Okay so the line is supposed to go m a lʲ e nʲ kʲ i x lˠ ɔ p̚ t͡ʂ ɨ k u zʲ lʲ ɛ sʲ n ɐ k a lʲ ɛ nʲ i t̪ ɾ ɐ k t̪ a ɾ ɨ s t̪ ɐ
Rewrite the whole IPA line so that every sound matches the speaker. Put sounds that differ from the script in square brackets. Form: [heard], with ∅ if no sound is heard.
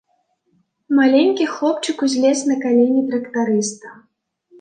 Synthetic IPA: m a lʲ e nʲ kʲ i x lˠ ɔ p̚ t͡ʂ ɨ k u zʲ lʲ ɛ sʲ n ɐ k a lʲ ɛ nʲ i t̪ ɾ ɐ k t̪ a ɾ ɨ s t̪ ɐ